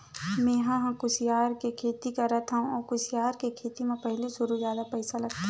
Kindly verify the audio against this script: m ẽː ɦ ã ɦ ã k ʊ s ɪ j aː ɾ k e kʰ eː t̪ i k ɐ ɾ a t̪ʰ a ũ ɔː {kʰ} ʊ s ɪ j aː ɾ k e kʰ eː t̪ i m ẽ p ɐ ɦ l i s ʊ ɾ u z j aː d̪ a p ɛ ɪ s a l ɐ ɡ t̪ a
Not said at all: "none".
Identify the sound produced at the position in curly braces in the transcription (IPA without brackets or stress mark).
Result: k